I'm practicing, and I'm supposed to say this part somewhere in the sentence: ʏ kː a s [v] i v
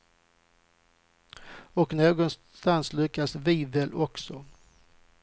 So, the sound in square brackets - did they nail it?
yes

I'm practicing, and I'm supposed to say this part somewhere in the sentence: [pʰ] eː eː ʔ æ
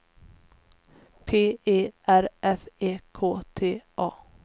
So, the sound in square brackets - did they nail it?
yes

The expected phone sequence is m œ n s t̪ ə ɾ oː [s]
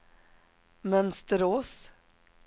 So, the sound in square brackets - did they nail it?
yes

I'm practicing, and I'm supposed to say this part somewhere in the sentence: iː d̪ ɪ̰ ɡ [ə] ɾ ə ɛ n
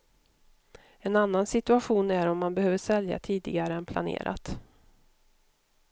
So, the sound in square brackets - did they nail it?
no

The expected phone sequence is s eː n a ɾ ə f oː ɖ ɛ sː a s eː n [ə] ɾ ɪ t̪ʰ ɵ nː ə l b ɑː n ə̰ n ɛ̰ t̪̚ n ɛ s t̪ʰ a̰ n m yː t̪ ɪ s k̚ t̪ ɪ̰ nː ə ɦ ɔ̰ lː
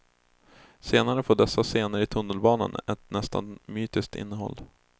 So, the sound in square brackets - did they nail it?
yes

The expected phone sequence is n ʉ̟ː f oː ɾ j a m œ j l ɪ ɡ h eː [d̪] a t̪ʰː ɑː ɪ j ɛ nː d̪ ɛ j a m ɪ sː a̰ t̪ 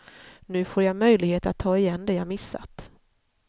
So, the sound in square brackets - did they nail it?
no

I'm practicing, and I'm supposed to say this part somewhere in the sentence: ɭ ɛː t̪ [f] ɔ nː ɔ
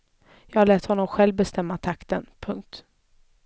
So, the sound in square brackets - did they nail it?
no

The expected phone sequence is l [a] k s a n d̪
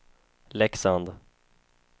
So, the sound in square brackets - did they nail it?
no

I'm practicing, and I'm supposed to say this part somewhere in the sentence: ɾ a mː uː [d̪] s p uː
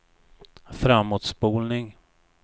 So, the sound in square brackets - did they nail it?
no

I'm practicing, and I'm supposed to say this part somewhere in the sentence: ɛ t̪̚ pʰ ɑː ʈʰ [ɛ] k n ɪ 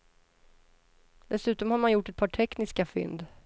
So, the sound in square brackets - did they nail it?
yes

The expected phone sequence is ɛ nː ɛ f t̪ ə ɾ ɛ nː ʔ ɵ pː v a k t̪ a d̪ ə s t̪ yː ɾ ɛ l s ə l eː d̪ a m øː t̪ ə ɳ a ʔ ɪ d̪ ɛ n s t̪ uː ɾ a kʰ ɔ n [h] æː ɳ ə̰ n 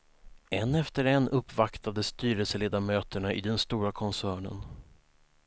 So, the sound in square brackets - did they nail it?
no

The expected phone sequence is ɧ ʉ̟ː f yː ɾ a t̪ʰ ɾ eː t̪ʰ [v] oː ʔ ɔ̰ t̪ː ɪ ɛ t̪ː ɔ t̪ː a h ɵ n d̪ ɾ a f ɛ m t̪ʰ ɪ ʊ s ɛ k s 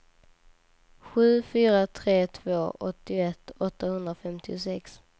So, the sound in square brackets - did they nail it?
yes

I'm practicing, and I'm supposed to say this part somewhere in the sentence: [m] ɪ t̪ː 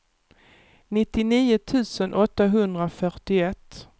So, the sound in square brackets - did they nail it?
no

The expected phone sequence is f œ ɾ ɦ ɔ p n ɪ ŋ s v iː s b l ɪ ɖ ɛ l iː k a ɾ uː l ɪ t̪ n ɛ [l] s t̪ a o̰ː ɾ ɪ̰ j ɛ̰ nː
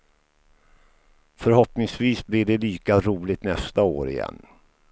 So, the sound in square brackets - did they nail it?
no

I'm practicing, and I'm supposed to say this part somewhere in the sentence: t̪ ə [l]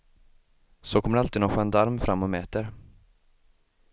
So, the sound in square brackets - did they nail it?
no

